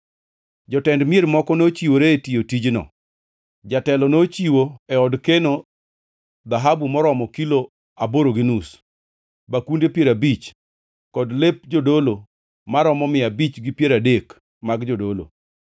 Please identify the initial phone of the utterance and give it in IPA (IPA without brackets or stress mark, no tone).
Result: d͡ʒ